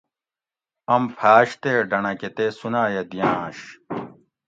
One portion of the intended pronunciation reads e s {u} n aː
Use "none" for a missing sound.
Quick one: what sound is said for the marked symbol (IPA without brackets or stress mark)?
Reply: u